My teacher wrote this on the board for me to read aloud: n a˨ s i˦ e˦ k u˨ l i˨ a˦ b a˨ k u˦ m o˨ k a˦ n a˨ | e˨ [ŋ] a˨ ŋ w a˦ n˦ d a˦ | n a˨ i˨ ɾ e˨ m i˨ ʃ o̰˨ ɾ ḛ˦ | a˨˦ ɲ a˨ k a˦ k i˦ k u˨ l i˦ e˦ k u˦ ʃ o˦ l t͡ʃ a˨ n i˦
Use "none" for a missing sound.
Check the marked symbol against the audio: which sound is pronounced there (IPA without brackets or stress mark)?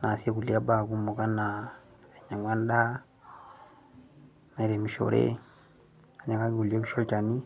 ɲ